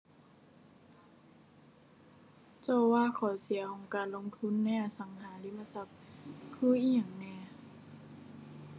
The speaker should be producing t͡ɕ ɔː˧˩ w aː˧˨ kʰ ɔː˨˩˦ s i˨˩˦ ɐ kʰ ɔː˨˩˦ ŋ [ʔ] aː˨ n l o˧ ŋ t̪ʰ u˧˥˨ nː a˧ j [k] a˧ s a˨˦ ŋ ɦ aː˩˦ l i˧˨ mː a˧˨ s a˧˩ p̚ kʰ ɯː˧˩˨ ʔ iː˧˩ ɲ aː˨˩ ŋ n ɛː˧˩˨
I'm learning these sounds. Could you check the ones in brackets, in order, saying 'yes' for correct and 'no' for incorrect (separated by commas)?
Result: no, no